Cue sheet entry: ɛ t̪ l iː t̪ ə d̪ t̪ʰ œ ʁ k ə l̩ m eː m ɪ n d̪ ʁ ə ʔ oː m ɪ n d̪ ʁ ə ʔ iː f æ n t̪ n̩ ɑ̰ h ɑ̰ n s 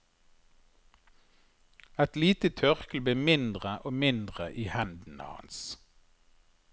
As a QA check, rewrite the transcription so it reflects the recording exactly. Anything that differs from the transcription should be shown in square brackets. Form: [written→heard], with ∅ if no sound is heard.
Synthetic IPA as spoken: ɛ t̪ l iː t̪ ə [d̪→∅] t̪ʰ œ ʁ k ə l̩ [m→b] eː m ɪ n d̪ ʁ ə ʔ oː m ɪ n d̪ ʁ ə ʔ iː [f→h] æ n [t̪→d̪] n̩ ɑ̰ h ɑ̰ n s